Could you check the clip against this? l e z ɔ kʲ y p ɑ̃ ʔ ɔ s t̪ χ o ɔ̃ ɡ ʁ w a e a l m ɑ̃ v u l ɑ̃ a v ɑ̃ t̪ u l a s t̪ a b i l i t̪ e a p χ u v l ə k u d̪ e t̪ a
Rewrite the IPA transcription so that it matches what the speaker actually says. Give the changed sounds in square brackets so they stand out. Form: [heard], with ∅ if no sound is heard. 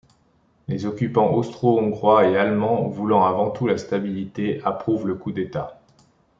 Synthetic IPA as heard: l e z ɔ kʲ y p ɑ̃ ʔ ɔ s t̪ χ o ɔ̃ ɡ ʁ w a e a l m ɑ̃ v u l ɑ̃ a v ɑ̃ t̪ u l a s t̪ a b i l i t̪ e a p χ u v l ə k u d̪ e t̪ a